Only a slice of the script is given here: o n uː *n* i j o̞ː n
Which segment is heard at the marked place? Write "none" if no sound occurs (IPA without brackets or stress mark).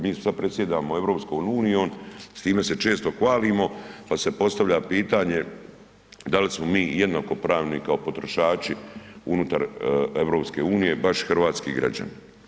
n